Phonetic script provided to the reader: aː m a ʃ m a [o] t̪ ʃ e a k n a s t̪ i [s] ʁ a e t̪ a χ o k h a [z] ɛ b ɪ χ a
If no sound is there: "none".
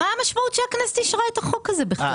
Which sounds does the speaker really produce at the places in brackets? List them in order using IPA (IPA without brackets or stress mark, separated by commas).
u, ʃ, z